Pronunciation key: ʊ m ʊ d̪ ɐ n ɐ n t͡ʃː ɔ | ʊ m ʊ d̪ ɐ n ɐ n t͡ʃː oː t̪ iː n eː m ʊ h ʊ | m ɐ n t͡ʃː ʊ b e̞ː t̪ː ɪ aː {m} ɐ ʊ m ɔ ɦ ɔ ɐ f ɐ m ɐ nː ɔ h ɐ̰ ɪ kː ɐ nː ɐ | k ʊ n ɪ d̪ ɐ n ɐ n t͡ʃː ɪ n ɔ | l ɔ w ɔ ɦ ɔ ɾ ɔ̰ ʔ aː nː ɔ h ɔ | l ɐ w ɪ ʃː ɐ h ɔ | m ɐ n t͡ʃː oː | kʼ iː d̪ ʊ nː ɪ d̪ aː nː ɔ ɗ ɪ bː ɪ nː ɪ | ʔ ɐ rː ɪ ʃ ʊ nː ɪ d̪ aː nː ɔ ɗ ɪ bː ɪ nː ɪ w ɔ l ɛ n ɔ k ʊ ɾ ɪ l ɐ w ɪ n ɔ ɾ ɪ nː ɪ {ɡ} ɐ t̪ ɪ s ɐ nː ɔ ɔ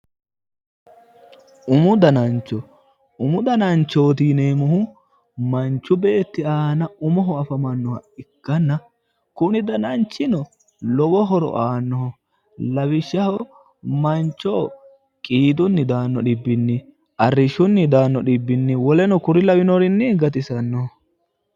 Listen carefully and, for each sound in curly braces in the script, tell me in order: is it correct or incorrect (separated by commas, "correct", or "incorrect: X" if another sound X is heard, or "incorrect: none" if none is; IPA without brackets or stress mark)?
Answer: incorrect: n, correct